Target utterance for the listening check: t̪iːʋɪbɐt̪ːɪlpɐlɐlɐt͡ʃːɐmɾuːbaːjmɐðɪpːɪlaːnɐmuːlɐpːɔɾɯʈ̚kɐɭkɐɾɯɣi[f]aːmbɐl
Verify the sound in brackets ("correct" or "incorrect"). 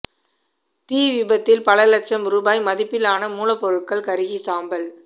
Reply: incorrect